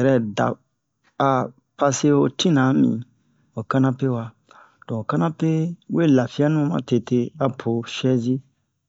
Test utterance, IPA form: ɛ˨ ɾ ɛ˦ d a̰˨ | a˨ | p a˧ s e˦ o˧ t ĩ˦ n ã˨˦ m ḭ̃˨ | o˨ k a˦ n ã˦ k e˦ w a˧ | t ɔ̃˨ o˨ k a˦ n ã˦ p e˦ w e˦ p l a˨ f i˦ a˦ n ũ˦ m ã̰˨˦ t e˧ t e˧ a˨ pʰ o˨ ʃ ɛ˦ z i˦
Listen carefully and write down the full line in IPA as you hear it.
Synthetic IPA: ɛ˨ ɾ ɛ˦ d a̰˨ | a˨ | p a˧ s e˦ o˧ t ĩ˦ n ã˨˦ m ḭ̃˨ | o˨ k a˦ n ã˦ p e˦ w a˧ | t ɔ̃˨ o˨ k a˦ n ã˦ p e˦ w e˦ l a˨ f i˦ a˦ n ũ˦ m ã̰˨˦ t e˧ t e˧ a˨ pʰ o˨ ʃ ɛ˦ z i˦